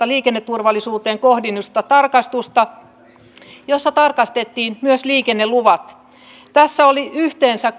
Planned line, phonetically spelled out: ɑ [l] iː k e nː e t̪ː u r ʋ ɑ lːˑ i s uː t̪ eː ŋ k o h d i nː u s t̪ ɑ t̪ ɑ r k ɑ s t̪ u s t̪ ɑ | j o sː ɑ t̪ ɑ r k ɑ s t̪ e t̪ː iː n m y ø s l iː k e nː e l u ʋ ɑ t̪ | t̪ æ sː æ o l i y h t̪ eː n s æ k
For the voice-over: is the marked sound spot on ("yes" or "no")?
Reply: yes